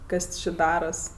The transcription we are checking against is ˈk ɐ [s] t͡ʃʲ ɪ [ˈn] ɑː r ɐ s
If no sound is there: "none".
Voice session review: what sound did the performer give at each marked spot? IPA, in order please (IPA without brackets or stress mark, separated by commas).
s, d